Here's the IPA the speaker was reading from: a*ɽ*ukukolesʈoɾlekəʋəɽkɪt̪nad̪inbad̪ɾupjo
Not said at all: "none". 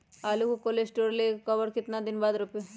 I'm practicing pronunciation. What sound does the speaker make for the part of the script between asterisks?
l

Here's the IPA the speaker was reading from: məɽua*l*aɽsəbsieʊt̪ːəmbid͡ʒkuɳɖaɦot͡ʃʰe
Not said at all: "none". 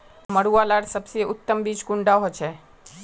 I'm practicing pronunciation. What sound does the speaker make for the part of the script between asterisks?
l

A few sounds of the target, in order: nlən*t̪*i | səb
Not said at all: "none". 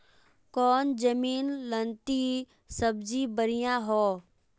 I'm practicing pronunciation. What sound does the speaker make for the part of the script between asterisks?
t̪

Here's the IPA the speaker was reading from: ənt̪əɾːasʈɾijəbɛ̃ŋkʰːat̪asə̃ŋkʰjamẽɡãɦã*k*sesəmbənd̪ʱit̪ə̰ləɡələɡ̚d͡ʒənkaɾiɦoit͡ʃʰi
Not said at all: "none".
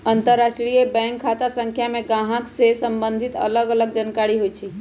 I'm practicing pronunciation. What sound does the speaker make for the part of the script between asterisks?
k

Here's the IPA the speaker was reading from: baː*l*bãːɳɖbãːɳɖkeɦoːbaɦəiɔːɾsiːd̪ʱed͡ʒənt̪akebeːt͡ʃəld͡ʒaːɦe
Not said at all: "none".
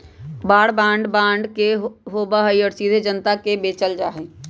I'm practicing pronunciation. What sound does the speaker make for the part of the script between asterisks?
ɽ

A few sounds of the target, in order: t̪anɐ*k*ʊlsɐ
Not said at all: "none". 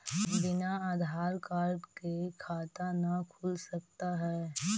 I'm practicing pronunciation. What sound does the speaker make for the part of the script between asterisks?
kʰ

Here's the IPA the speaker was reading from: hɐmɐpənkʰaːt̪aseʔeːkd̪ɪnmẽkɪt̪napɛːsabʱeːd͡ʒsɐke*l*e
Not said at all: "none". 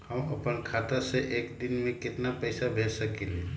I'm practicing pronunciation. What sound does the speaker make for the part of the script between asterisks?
l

